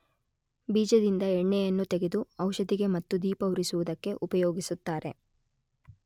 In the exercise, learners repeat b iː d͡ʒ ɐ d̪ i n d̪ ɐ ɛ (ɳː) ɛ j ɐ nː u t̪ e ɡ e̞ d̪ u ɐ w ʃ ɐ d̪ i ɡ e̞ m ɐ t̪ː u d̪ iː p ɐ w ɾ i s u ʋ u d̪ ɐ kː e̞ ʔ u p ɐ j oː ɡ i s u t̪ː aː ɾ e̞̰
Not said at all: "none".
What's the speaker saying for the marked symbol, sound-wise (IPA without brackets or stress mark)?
ɳː